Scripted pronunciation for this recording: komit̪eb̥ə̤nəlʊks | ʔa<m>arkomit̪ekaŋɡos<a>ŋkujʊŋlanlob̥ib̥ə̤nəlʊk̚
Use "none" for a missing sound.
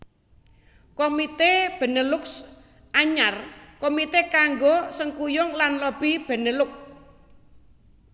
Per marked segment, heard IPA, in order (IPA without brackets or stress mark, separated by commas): ɲ, ə